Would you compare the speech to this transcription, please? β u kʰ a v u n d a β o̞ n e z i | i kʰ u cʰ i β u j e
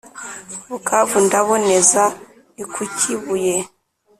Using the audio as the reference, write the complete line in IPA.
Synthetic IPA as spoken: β u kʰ a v u n d a β o̞ n e z a | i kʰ u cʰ i β u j e